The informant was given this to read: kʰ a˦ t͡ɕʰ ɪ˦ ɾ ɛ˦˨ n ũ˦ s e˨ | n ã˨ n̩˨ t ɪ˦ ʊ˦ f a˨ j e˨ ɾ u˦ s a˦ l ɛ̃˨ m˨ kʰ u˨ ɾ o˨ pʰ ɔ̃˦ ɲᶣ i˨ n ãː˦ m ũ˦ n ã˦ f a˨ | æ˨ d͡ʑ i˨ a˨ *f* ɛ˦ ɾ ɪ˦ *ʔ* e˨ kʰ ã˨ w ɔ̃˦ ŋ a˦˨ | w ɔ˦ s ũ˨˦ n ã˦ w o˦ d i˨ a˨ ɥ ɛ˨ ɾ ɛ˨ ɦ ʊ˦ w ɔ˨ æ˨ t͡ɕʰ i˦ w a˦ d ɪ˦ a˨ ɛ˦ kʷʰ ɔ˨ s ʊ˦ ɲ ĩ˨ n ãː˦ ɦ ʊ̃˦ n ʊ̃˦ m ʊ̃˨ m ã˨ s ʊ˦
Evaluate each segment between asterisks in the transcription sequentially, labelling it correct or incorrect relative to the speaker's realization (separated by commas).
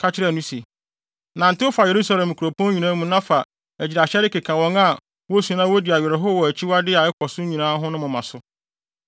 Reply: incorrect, incorrect